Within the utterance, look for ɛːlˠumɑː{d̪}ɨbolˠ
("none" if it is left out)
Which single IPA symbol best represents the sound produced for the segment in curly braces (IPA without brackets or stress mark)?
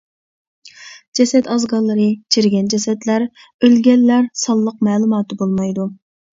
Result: t̪